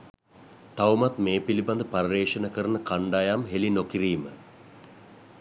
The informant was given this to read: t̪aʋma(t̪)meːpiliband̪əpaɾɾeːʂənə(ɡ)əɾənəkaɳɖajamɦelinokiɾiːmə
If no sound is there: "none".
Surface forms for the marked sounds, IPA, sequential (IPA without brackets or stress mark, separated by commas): t̪, k